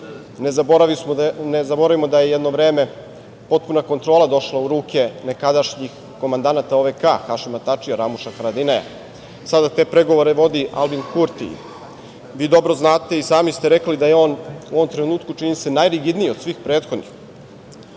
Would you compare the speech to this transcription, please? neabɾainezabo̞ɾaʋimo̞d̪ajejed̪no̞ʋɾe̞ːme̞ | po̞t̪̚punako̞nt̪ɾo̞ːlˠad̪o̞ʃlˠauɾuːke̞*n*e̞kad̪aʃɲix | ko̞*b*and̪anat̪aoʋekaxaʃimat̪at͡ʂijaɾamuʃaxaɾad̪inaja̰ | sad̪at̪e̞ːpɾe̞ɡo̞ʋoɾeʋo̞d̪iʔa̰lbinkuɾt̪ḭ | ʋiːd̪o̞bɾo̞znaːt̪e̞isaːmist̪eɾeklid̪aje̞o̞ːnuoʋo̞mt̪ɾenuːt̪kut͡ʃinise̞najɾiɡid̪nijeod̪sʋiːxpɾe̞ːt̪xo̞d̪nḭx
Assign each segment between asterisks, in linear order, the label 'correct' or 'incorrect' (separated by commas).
correct, incorrect